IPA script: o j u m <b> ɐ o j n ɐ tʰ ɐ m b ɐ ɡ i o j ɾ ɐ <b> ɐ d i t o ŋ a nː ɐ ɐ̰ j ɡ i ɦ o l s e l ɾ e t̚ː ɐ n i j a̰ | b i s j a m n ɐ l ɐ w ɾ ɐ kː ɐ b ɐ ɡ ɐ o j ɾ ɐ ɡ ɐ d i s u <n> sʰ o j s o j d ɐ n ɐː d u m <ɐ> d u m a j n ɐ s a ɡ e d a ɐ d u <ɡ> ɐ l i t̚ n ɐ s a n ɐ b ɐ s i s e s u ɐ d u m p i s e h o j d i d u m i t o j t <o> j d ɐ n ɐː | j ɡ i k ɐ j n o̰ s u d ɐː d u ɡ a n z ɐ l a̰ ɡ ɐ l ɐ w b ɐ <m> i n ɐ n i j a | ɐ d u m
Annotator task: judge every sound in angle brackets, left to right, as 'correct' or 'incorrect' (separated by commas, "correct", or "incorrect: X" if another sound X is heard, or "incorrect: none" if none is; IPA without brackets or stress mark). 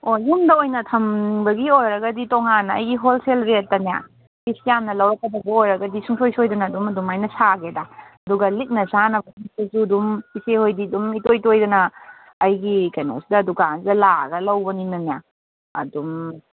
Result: incorrect: d, incorrect: ɡ, incorrect: ŋ, correct, correct, correct, incorrect: n